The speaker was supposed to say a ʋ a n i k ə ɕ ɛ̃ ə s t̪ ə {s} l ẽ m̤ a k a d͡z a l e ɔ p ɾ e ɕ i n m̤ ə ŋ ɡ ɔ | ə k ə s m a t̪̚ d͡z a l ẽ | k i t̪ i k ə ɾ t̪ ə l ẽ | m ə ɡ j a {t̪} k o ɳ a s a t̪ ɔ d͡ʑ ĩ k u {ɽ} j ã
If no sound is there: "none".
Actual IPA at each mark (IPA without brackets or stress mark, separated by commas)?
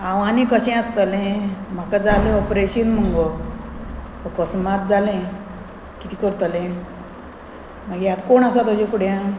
none, t̪, ɽ